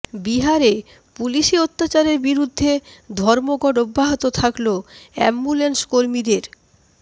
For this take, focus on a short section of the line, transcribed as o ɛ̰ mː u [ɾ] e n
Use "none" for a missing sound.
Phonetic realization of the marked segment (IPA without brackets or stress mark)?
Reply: l